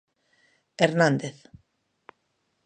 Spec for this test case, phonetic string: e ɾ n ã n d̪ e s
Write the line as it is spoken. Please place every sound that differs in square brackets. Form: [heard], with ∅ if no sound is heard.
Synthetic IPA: e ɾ n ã n d̪ e [θ]